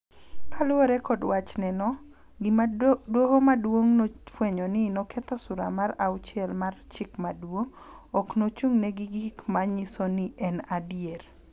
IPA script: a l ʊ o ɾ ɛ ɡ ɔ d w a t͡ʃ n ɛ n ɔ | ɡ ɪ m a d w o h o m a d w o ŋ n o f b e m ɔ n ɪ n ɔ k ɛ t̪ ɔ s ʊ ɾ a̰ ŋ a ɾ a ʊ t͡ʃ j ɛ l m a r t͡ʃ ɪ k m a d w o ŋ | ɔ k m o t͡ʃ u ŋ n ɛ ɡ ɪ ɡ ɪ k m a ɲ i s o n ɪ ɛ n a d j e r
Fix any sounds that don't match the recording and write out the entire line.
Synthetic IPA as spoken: a l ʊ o ɾ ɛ k ɔ d w a t͡ʃ n ɛ n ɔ | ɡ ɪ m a d w o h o m a d w o ŋ n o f w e ɲ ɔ n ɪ n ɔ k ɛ t̪ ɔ s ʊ ɾ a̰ m a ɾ a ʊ t͡ʃ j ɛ l m a r t͡ʃ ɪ k m a d w o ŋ | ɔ k n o t͡ʃ u ŋ n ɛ ɡ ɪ ɡ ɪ k m a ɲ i s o n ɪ ɛ n a d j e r